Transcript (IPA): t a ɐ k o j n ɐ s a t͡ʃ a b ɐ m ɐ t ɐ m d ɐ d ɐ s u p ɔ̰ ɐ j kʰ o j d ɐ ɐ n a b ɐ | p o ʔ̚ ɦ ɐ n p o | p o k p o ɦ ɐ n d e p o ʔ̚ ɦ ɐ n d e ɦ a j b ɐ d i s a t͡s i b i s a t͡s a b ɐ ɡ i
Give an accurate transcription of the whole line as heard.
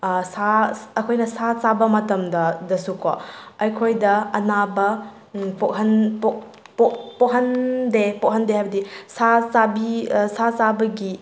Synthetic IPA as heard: s a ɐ kʰ o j n ɐ s a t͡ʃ a b ɐ m ɐ t ɐ m d ɐ d ɐ s u k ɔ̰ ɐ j kʰ o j d ɐ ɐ n a b ɐ | p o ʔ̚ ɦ ɐ n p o | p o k p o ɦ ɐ n d e p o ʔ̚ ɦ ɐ n d e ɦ a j b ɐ d i s a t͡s a b i s a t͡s a b ɐ ɡ i